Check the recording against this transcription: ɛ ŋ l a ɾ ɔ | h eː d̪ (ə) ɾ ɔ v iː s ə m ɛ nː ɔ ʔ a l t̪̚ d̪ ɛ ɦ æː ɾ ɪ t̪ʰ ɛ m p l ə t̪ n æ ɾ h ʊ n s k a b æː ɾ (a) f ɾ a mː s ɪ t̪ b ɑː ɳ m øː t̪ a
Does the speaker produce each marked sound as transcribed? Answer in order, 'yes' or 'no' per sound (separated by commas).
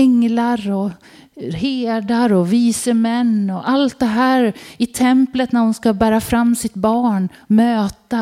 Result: no, yes